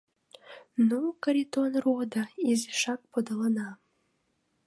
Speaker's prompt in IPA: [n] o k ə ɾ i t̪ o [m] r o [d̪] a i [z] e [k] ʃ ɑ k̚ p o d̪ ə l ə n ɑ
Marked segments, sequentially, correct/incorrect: correct, incorrect: n, correct, correct, incorrect: none

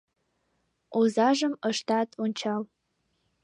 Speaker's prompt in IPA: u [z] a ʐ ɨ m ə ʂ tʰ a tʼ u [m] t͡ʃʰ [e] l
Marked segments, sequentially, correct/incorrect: correct, incorrect: n, incorrect: a

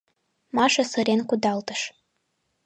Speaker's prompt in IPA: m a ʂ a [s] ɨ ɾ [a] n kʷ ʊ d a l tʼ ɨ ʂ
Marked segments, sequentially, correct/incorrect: correct, incorrect: e

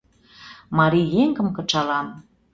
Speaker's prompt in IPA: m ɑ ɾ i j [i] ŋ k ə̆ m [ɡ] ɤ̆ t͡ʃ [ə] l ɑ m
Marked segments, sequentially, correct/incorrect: incorrect: e, incorrect: k, incorrect: ɑ

